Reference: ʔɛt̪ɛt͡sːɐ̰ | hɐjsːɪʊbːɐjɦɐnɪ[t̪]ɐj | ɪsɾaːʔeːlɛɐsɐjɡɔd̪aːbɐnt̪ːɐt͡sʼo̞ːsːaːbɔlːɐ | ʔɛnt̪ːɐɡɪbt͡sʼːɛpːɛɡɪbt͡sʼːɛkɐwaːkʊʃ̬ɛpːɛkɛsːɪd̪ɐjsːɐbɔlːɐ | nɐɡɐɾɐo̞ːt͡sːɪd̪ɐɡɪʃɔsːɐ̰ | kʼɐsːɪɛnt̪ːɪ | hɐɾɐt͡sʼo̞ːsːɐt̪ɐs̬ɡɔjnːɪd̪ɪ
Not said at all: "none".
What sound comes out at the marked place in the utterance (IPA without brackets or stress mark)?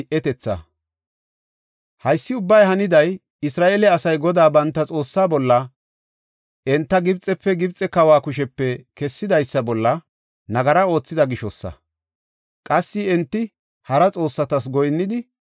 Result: d̪